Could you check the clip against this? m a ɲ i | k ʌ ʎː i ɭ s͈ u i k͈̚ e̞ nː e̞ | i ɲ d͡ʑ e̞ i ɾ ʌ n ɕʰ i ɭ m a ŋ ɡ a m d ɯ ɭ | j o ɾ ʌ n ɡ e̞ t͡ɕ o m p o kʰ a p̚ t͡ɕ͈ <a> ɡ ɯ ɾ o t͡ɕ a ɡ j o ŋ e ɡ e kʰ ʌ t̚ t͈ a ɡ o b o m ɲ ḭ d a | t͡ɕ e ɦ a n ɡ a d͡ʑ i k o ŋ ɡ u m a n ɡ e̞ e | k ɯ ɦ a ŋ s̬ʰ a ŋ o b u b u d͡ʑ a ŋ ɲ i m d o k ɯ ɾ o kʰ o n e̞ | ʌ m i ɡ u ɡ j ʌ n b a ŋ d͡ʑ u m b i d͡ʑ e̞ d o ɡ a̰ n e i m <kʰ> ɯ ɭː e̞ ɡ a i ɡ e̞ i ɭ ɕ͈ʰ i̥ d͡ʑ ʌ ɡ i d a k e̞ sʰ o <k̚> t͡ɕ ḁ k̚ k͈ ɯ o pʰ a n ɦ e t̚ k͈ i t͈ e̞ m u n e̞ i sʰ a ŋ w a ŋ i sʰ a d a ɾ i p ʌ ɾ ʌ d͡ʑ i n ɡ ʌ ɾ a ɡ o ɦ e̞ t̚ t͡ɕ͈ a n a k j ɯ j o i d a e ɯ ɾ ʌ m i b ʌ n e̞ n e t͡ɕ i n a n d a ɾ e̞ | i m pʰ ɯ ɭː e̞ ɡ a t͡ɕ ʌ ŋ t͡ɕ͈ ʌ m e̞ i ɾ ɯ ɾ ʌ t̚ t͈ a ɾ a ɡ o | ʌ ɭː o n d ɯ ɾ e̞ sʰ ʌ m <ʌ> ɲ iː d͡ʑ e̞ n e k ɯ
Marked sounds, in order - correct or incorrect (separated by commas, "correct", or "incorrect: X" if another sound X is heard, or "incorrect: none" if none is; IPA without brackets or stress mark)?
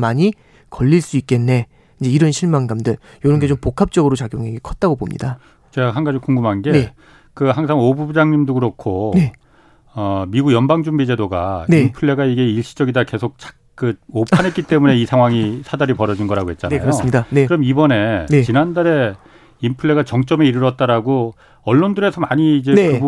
incorrect: ʌ, incorrect: pʰ, correct, incorrect: a